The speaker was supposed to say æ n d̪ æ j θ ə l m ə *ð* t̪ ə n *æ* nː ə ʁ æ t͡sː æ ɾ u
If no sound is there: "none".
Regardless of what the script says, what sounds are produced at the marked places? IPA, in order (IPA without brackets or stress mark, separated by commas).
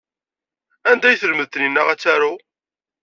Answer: ð, i